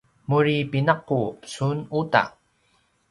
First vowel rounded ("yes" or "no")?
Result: yes